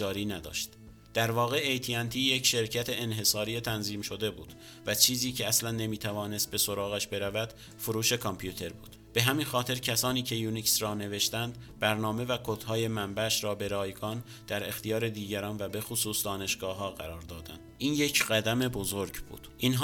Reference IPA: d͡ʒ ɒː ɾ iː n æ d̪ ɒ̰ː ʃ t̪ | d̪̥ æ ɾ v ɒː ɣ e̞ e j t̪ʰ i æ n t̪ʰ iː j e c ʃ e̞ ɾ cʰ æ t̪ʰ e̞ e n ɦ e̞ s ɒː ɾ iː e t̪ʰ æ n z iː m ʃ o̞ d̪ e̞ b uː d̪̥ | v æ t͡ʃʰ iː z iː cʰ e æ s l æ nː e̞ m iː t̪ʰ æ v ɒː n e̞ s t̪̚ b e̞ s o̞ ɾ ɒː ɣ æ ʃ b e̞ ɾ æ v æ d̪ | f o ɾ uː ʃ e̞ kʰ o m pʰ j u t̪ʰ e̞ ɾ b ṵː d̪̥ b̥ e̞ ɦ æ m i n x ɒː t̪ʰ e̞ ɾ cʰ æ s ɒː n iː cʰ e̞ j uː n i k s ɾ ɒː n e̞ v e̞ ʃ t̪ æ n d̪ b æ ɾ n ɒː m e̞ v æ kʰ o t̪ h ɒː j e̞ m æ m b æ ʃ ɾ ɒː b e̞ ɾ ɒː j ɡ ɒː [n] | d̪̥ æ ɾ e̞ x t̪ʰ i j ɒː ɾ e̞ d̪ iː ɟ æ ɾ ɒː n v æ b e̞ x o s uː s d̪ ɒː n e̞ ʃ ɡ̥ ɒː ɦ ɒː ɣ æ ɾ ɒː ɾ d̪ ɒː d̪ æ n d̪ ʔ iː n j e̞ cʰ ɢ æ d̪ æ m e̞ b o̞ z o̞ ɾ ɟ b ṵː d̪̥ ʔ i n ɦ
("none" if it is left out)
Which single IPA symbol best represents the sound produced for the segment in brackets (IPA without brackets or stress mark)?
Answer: n